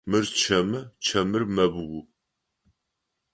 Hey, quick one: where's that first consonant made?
lips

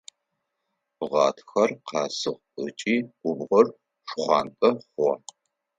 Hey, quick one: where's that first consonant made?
uvula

